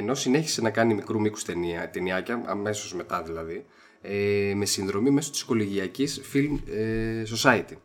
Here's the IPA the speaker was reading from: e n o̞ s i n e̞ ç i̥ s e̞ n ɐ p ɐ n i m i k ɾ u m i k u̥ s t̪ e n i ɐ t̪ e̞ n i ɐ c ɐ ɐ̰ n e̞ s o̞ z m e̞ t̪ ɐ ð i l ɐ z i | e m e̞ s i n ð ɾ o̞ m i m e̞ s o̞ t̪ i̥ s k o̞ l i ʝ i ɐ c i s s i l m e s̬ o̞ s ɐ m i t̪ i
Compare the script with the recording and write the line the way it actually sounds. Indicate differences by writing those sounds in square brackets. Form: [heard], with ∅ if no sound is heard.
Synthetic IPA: e n o̞ s i n e̞ ç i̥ s e̞ n ɐ [k] ɐ n i m i k ɾ u m i k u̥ s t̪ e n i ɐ t̪ e̞ n i ɐ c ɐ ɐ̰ [m] e̞ s o̞ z m e̞ t̪ ɐ ð i l ɐ [ð] i | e m e̞ s i n ð ɾ o̞ m i m e̞ s o̞ t̪ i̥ s k o̞ l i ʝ i ɐ c i s [f] i l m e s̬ o̞ s ɐ [∅] i t̪ i